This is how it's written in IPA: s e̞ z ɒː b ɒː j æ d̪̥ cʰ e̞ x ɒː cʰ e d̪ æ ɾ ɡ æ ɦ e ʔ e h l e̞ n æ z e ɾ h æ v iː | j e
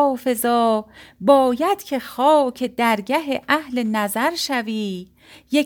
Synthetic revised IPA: f e̞ z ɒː b ɒː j æ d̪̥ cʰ e̞ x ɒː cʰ e d̪ æ ɾ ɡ æ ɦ e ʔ æ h l e̞ n æ z æ ɾ ʃ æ v iː | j e